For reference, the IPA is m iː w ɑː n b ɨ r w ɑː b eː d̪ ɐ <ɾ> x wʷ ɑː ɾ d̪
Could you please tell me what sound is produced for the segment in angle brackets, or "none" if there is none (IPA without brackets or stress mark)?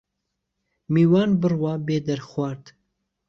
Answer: ɾ